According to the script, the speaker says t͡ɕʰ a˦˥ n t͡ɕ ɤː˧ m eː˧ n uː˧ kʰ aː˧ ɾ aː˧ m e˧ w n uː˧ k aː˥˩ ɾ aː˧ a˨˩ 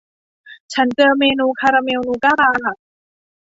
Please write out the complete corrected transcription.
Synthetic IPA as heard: t͡ɕʰ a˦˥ n t͡ɕ ɤː˧ m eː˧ n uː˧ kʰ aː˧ ɾ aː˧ m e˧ w n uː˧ k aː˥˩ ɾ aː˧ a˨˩